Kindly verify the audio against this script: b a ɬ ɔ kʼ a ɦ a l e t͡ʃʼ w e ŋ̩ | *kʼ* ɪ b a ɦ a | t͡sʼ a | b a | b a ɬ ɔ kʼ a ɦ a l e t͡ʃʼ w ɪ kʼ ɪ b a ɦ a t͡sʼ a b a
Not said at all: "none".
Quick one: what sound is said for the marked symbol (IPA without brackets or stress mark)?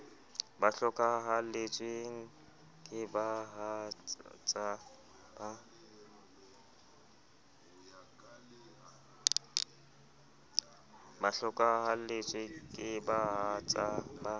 kʼ